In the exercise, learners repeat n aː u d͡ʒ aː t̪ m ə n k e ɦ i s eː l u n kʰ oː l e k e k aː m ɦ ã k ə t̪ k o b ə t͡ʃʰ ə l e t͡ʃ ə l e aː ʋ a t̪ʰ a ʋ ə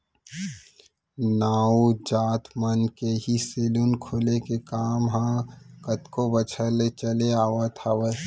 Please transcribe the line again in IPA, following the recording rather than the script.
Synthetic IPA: n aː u d͡ʒ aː t̪ m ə n k e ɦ i s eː l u n kʰ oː l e k e k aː m ɦ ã k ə t̪ k o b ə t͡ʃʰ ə l e t͡ʃ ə l e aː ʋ a t̪ʰ a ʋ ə